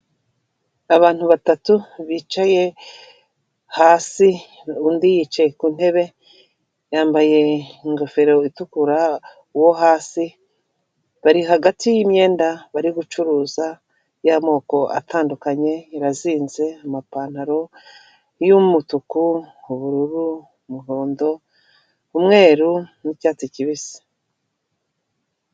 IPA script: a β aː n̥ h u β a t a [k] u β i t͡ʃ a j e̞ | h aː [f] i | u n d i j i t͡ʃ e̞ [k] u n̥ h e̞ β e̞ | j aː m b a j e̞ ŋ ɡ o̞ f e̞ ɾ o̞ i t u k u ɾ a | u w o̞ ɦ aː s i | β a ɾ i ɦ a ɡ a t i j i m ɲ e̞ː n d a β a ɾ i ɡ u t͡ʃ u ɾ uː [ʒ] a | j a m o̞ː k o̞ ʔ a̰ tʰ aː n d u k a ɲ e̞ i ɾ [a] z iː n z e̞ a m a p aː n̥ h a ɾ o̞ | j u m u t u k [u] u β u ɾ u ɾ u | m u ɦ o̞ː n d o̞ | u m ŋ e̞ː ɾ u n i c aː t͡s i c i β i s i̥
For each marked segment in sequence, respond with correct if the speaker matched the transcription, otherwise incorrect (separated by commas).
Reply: incorrect, incorrect, correct, incorrect, correct, correct